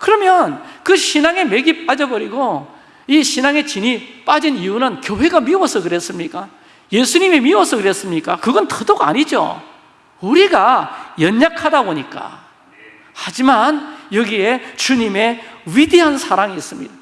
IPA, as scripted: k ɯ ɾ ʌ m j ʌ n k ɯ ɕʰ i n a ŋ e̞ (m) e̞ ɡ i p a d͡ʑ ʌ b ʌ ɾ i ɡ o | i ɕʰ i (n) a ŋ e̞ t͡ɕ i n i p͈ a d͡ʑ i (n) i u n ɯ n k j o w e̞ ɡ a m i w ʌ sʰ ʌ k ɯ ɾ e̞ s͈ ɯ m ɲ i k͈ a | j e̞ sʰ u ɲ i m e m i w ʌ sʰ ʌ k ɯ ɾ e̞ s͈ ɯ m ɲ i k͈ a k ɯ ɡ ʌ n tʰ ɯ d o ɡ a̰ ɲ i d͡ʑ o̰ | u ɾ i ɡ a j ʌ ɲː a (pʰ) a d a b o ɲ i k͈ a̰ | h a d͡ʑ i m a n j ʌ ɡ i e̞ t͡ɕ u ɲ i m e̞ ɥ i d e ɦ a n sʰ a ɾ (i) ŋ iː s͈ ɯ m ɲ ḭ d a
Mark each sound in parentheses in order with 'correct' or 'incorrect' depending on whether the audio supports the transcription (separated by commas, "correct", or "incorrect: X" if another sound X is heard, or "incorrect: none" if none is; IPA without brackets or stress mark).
correct, correct, correct, incorrect: kʰ, incorrect: a